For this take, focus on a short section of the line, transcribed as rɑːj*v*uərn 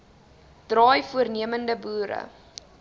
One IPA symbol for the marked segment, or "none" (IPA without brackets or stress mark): f